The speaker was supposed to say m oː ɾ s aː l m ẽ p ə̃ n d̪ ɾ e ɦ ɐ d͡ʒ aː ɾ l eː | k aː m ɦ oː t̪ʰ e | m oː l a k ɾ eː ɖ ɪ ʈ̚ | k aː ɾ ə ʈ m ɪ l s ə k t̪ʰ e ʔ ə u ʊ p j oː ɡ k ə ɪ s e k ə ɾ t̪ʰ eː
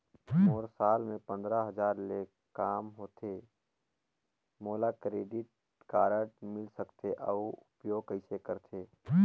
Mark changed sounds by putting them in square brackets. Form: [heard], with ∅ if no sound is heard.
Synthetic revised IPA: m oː ɾ s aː l m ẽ p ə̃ n d̪ ɾ [a] ɦ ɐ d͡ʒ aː ɾ l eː | k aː m ɦ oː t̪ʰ e | m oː l a k ɾ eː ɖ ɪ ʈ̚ | k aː ɾ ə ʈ m ɪ l s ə k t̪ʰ e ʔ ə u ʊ p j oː ɡ k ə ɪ s e k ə ɾ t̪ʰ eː